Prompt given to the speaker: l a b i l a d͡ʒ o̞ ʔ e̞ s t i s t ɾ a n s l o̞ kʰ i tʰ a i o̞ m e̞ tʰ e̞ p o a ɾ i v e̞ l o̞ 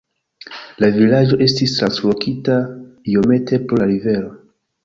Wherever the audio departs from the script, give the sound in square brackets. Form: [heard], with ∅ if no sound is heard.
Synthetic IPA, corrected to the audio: l a [v] i l a d͡ʒ o̞ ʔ e̞ s t i s t ɾ a n s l o̞ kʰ i [t] a i o̞ m e̞ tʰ e̞ p o a ɾ i v e̞ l o̞